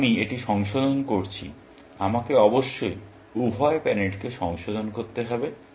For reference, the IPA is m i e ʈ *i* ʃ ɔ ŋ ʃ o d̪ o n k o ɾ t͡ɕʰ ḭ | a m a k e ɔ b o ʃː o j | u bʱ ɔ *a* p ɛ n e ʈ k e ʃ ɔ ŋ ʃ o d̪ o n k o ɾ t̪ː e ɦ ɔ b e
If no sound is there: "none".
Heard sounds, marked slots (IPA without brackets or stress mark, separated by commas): i, e